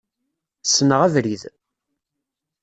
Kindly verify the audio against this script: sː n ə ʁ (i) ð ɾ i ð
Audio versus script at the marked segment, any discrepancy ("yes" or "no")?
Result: yes